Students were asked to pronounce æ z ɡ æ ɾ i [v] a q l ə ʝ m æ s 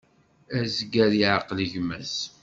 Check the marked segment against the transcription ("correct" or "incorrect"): incorrect